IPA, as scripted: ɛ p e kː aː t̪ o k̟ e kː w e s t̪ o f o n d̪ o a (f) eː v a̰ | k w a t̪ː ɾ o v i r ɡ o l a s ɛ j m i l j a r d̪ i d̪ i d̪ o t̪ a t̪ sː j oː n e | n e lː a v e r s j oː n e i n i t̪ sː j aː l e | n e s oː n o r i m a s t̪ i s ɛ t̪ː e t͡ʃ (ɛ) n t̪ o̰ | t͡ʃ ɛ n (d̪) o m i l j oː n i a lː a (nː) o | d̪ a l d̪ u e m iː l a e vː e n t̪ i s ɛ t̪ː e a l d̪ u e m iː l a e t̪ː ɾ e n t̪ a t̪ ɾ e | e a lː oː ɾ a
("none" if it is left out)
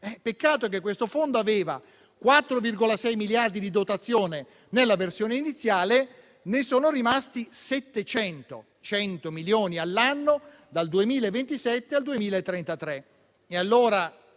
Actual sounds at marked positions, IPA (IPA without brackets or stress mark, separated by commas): v, ɛ, t̪, nː